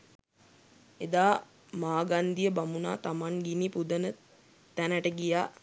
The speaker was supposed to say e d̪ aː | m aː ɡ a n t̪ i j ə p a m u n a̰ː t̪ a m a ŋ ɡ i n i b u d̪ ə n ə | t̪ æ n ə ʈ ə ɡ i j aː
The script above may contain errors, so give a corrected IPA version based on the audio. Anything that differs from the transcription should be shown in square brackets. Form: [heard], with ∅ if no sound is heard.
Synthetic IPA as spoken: e d̪ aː | m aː ɡ a n [d̪] i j ə [b] a m u n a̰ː t̪ a m a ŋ ɡ i n i [p] u d̪ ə n ə | t̪ æ n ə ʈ ə ɡ i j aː